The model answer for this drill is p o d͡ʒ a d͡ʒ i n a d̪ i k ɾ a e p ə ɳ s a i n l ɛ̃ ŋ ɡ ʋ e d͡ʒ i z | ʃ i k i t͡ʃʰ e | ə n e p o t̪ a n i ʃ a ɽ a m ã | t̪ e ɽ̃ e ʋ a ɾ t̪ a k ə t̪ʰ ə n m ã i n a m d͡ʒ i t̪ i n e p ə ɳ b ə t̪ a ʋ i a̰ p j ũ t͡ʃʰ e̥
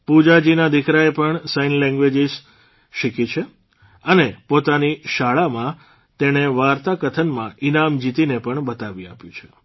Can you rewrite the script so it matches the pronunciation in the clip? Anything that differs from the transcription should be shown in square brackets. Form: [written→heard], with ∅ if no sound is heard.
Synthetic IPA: p [o→u] d͡ʒ a d͡ʒ i n a d̪ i k ɾ a e p ə ɳ s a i n l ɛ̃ ŋ ɡ ʋ e d͡ʒ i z | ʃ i k i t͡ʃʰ e | ə n e p o t̪ a n i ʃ a [ɽ→ɭ] a m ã | t̪ e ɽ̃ e ʋ a ɾ t̪ a k ə t̪ʰ ə n m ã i n a m d͡ʒ i t̪ i n e p ə ɳ b ə t̪ a ʋ i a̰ p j ũ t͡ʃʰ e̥

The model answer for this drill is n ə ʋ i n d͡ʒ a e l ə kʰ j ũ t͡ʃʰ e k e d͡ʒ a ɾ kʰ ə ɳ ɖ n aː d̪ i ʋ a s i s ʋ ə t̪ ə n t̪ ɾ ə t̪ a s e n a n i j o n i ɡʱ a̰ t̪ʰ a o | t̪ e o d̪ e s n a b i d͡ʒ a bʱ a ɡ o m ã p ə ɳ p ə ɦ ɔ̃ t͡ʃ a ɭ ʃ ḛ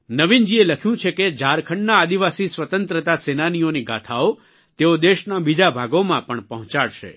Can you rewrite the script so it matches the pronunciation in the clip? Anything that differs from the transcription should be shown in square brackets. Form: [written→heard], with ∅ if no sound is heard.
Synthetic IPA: n ə ʋ i n d͡ʒ [a→i] e l ə kʰ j ũ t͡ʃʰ e k e d͡ʒ a ɾ kʰ ə ɳ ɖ n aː d̪ i ʋ a s i s ʋ ə t̪ ə n t̪ ɾ ə t̪ a s e n a n i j o n i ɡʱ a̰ t̪ʰ a o | t̪ e o d̪ e [s→ʃ] n a b i d͡ʒ a bʱ a ɡ o m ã p ə ɳ p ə ɦ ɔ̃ t͡ʃ a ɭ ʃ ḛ

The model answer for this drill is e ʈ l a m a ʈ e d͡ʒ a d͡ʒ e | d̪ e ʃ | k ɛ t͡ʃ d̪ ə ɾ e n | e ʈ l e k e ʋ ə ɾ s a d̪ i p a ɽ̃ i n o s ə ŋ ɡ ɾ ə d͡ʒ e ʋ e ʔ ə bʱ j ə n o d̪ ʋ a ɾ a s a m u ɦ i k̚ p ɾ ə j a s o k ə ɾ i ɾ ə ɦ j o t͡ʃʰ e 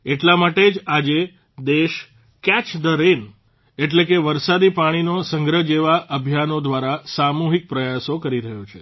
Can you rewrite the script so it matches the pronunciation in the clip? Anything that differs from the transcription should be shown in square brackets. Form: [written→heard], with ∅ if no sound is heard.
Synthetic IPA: e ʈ l a m a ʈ e d͡ʒ a d͡ʒ e | d̪ e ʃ | k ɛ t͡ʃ d̪ ə ɾ e n | e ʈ l e k e ʋ ə ɾ s a d̪ i p a ɽ̃ i n o s ə ŋ ɡ ɾ ə d͡ʒ e ʋ [e→a] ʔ ə bʱ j [ə→a] n o d̪ ʋ a ɾ a s a m u ɦ i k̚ p ɾ ə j a s o k ə ɾ i ɾ ə ɦ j o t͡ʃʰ e

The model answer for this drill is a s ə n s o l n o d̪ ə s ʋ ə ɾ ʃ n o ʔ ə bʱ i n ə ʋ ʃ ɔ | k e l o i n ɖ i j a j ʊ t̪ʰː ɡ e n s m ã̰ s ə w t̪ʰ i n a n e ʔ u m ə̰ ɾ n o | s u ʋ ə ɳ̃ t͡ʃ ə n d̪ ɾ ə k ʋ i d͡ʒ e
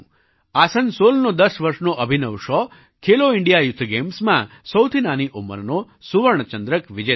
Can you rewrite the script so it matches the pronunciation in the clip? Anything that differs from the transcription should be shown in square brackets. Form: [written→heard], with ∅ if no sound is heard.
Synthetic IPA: a s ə n s o l n o d̪ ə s ʋ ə ɾ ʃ n o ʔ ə bʱ i n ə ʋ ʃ ɔ | [k→kʰ] e l o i [n→ɳ] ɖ i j a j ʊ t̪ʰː ɡ e [n→m] s m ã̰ s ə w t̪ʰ i n a n [e→i] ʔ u m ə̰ ɾ n o | s u ʋ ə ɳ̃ t͡ʃ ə n d̪ ɾ ə k ʋ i d͡ʒ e

